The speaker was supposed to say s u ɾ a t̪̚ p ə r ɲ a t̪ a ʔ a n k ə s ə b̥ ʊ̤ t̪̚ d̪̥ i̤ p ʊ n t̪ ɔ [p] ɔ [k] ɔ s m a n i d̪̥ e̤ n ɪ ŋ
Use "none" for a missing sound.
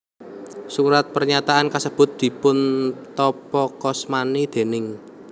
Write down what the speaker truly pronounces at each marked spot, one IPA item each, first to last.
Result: p, k

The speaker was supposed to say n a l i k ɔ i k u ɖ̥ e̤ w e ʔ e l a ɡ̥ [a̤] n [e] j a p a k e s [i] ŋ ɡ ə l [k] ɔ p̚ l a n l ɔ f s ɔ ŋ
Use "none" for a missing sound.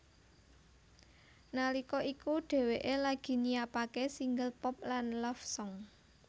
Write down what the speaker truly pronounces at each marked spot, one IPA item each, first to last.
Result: i̤, i, i, p

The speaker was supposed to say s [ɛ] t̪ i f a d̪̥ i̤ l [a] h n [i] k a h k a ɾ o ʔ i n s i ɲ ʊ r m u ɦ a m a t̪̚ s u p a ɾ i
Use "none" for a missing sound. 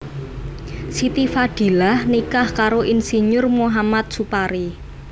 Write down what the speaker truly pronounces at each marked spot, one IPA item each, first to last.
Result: i, a, i

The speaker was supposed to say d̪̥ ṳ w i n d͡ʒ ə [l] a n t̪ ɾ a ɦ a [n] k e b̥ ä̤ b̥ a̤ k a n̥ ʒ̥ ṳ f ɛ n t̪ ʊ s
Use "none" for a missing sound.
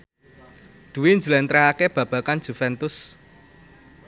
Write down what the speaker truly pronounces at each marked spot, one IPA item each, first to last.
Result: l, none

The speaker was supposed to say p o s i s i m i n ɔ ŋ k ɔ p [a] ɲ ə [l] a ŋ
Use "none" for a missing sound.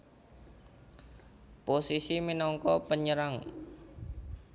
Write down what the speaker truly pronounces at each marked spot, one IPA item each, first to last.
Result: ə, ɾ

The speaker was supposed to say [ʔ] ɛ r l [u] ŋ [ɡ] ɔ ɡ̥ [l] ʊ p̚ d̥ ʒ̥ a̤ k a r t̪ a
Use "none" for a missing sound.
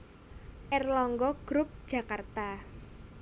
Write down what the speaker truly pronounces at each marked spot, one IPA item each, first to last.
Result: ʔ, ɔ, ɡ, ɾ

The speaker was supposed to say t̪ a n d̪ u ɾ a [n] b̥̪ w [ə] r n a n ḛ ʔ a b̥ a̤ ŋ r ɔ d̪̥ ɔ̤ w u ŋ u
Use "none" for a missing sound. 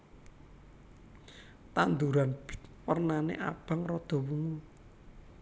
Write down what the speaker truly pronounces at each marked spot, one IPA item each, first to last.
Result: n, ə

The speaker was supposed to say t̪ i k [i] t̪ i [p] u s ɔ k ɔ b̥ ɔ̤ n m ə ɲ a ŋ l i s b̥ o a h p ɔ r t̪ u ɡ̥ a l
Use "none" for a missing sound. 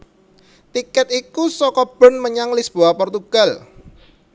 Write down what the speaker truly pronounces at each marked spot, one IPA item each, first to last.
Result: ɛ, k

